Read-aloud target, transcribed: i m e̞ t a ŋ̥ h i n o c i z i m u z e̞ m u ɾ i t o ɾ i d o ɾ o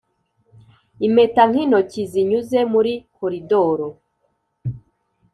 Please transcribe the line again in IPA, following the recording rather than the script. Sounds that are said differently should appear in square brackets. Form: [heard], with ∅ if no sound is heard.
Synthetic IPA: i m e̞ t a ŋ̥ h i n o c i z i [ɲ] u z e̞ m u ɾ i [k] o ɾ i d o ɾ o